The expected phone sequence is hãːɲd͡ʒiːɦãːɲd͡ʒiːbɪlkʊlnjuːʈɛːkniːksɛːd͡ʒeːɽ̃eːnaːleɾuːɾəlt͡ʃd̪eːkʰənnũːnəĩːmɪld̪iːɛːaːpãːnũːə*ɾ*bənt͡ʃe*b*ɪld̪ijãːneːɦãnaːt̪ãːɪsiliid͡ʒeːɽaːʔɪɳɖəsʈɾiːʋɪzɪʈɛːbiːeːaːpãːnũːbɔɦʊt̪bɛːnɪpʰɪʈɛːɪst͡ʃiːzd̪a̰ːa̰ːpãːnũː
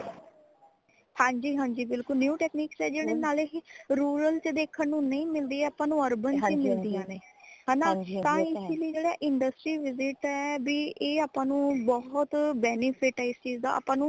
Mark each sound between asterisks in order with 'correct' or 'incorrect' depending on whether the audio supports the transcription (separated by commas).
correct, incorrect